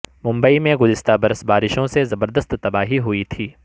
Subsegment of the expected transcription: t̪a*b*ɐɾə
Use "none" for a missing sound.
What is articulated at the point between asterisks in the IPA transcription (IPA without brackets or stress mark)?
b